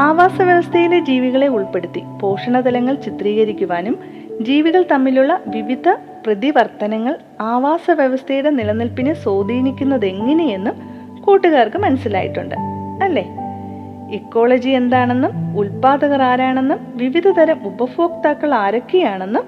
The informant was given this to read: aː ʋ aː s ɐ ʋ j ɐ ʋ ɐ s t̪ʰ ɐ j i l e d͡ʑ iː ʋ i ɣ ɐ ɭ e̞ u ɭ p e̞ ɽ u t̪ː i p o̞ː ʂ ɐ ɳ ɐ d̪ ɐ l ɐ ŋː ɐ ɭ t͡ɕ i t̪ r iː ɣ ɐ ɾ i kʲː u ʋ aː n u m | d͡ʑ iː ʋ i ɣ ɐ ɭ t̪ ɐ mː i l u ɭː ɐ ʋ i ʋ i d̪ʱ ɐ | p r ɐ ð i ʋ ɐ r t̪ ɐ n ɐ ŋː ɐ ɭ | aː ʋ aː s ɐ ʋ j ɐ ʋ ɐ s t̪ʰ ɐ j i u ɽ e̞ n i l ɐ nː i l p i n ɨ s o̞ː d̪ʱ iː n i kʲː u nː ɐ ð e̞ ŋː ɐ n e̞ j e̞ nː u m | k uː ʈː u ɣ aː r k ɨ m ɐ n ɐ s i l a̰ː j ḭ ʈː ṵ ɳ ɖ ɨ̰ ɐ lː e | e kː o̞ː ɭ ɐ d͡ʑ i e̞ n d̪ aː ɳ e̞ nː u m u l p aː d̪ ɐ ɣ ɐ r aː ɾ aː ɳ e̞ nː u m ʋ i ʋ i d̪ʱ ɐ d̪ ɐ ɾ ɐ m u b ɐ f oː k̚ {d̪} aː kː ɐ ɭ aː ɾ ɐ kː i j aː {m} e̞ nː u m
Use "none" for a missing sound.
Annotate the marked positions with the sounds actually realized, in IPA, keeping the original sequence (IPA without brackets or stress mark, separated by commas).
t̪, ɳ